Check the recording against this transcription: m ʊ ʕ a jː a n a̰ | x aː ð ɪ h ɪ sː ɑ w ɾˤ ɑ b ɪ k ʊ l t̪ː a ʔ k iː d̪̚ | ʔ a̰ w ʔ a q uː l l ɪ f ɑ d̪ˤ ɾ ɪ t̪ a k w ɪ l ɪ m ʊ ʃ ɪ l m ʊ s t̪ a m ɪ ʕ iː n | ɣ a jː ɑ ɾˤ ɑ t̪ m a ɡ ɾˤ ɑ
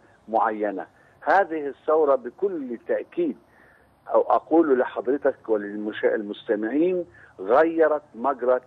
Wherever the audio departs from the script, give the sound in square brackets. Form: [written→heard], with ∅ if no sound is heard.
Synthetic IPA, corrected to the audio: m ʊ ʕ a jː a n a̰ | [x→h] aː ð ɪ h ɪ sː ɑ w ɾˤ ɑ b ɪ k ʊ l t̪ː a ʔ k iː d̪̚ | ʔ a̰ w ʔ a q uː l l ɪ [f→ħ] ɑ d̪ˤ ɾ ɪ t̪ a k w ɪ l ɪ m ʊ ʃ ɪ l m ʊ s t̪ a m ɪ ʕ iː n | ɣ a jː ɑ ɾˤ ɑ t̪ m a ɡ ɾˤ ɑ